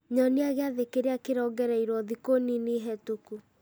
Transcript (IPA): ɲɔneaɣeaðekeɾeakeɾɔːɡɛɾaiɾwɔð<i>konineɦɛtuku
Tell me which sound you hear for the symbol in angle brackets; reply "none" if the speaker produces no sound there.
i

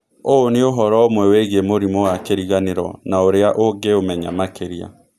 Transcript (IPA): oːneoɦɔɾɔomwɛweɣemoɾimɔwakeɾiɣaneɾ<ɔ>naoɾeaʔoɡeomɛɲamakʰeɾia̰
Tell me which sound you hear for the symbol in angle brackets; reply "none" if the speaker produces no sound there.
ɔ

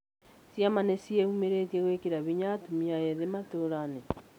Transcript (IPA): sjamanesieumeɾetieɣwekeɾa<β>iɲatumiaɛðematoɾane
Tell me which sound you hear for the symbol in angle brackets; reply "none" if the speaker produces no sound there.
β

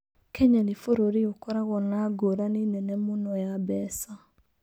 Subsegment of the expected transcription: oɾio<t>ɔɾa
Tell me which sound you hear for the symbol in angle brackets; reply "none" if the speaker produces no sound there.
k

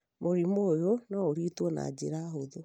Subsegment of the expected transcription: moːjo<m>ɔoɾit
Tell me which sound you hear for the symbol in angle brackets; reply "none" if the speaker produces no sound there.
n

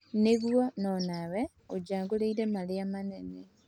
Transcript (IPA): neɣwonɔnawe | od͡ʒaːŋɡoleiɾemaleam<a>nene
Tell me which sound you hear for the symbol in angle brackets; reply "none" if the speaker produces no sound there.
a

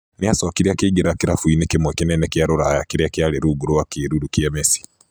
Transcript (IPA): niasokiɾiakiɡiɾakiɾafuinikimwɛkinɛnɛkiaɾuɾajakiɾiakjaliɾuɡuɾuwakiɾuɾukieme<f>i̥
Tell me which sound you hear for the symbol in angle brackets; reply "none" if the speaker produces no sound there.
s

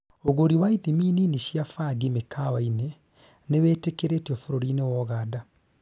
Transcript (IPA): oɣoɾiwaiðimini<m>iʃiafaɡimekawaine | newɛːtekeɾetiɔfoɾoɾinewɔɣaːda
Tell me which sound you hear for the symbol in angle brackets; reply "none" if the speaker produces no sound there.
n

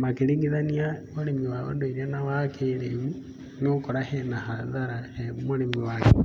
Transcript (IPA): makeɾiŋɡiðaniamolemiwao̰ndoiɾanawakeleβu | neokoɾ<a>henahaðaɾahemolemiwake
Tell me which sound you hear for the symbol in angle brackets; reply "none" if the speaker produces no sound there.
a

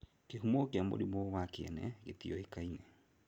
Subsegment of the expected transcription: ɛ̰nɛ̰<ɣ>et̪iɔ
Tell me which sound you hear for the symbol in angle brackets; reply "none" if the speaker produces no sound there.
ɣ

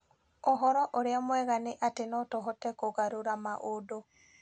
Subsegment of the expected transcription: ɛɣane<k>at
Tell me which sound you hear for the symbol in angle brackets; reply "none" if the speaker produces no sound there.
ʔ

